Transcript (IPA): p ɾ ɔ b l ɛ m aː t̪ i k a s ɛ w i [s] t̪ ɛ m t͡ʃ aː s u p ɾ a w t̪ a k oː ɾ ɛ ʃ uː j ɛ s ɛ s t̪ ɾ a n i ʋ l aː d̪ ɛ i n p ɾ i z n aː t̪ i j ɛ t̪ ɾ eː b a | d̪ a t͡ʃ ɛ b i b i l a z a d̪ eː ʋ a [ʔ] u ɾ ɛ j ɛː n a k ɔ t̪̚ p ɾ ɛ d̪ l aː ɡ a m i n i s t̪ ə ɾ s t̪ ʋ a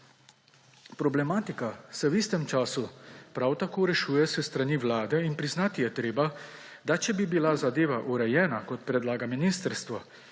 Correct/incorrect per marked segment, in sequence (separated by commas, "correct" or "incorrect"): correct, correct